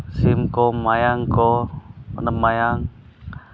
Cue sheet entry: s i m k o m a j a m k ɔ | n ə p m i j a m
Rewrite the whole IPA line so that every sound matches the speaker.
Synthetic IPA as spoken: s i m k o m a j a ŋ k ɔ | n ə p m a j a ŋ